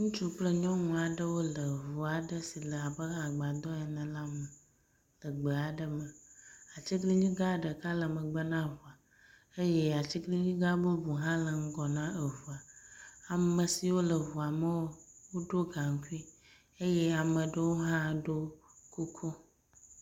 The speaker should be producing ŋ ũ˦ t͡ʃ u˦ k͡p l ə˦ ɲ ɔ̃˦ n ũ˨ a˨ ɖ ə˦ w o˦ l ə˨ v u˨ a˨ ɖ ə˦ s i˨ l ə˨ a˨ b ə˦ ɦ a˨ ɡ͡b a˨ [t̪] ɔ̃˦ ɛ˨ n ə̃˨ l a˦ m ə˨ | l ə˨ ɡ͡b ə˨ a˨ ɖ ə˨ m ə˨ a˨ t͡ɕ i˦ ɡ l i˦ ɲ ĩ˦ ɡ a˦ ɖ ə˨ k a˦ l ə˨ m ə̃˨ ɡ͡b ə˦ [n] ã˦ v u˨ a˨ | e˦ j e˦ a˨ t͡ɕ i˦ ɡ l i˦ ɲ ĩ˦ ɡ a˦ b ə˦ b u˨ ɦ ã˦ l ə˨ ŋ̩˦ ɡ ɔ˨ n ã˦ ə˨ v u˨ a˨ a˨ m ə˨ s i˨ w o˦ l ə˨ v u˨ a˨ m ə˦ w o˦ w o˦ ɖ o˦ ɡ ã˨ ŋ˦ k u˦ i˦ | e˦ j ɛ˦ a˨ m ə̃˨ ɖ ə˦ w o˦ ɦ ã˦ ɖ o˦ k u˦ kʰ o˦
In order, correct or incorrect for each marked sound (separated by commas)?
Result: incorrect, correct